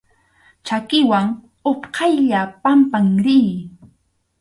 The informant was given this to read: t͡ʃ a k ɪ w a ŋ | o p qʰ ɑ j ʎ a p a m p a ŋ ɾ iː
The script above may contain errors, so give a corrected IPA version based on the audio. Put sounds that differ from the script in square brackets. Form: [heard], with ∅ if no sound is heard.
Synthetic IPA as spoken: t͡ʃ a k ɪ w a ŋ | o p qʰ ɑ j ʎ a p a m p a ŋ ɾ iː